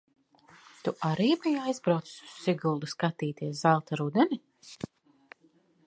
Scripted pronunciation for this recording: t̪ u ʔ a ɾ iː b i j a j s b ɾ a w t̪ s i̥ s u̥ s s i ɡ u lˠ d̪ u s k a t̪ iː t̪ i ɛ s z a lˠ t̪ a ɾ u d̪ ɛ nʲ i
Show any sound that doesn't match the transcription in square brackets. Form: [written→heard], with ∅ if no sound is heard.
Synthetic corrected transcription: t̪ u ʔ a ɾ iː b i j a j [s→z] b ɾ a w t̪ s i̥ s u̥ s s i ɡ u lˠ d̪ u s k a t̪ iː t̪ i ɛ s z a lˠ t̪ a ɾ u d̪ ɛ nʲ i